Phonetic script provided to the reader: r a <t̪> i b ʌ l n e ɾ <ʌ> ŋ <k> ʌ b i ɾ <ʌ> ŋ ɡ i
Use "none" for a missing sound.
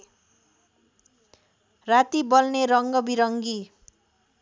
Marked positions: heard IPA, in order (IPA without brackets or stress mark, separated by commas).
t̪, ʌ, ɡ, ʌ